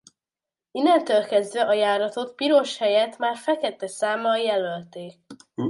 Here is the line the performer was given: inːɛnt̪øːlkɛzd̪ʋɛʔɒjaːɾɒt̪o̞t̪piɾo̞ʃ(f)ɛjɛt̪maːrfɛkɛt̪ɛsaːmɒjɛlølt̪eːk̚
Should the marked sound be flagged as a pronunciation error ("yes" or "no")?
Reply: yes